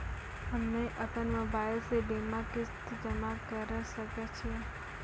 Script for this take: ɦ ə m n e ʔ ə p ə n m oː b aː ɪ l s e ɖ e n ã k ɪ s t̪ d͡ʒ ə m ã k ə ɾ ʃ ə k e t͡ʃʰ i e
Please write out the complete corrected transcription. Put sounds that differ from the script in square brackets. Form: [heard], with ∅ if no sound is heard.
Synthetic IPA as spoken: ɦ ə m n e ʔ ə p ə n m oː b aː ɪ l s e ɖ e [m] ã k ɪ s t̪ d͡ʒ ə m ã k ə ɾ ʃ ə k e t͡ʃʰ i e